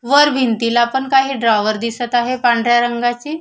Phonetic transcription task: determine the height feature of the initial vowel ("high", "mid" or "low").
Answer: mid